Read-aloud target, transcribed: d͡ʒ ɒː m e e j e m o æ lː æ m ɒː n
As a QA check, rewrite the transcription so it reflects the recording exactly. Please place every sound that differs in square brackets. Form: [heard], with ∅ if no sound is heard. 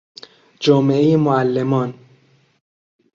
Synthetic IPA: d͡ʒ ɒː m e e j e m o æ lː [e] m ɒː n